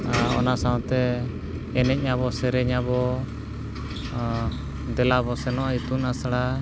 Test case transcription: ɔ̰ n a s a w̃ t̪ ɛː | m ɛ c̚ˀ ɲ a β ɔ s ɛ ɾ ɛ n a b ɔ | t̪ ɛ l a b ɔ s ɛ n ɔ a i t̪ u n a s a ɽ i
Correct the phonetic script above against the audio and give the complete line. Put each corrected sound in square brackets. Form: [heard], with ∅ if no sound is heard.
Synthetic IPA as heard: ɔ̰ n a s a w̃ t̪ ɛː | [n] ɛ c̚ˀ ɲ a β ɔ s ɛ ɾ ɛ [ɲ] a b ɔ | [d̪] ɛ l a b ɔ s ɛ n ɔ a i t̪ u n a s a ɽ [a]

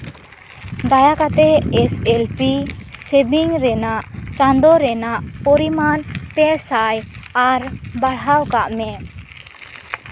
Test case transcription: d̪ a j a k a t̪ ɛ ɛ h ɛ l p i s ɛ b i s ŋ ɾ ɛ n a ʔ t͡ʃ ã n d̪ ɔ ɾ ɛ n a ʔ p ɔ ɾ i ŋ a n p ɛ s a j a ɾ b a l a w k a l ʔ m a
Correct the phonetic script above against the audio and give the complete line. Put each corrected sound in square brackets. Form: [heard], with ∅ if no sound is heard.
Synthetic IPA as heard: d̪ a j a k a t̪ ɛ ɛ [s] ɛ l p i s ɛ b i [∅] ŋ ɾ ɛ n a ʔ t͡ʃ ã n d̪ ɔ ɾ ɛ n a ʔ p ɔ ɾ i [m] a n p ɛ s a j a ɾ b a [ɽ] a w k a [∅] ʔ m [ɛ]

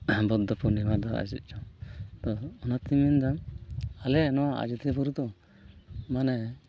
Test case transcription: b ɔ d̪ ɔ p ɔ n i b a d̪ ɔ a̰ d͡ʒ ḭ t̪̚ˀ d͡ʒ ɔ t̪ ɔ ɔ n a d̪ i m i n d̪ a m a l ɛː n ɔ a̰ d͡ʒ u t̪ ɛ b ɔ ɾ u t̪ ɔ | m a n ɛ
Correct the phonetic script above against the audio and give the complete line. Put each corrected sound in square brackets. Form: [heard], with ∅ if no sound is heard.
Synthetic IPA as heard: b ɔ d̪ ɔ p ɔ n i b a d̪ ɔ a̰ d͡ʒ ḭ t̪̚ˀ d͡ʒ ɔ t̪ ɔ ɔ n a [t̪] i m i n d̪ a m a l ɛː n ɔ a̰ d͡ʒ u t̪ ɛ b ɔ ɾ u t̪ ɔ | m a n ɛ

